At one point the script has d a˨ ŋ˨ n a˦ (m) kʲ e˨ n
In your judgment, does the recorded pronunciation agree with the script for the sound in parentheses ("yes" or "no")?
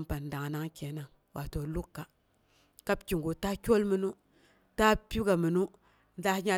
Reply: no